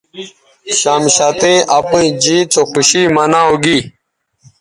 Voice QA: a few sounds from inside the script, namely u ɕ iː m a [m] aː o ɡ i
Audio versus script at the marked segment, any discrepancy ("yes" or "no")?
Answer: yes